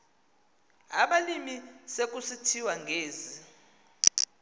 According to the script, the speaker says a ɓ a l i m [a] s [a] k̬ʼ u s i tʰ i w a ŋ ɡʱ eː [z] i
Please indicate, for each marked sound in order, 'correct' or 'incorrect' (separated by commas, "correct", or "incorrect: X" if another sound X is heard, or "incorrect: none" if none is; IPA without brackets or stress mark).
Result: incorrect: i, incorrect: e, correct